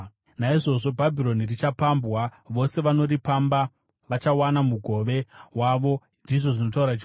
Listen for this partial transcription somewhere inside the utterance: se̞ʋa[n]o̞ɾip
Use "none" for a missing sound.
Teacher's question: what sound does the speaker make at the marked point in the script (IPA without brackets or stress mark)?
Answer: n